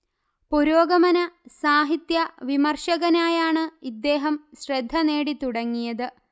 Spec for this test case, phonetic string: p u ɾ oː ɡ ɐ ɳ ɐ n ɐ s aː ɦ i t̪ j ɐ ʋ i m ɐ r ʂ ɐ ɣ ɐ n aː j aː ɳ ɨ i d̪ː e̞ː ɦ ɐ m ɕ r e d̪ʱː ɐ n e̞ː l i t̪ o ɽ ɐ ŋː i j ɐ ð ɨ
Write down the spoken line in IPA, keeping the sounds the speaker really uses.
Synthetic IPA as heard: p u ɾ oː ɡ ɐ m ɐ n ɐ s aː ɦ i t̪ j ɐ ʋ i m ɐ r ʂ ɐ ɣ ɐ n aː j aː ɳ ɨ i d̪ː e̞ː ɦ ɐ m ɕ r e d̪ʱː ɐ n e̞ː ɽ i t̪ u ɽ ɐ ŋː i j ɐ ð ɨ